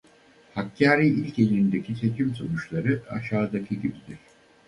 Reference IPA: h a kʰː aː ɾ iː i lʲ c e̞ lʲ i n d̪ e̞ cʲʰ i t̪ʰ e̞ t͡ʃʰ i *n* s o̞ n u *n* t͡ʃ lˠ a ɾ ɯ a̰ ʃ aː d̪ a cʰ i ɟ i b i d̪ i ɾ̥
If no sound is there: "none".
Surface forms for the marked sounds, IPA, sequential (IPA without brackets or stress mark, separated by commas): m, none